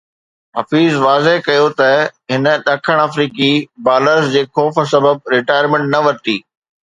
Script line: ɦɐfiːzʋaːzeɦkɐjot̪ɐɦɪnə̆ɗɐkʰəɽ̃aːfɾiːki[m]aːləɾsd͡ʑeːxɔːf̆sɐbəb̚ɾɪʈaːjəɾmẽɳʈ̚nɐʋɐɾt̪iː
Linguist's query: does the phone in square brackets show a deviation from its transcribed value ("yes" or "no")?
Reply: yes